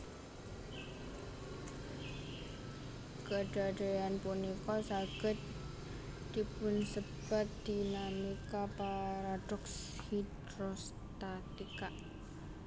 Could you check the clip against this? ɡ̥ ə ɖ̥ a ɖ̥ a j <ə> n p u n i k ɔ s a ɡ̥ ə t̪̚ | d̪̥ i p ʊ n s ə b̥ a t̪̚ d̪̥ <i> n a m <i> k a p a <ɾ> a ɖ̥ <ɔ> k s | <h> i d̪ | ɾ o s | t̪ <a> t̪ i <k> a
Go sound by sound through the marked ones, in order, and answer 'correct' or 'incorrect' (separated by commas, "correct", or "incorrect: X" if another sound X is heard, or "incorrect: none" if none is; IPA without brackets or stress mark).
incorrect: a, correct, correct, correct, correct, correct, correct, correct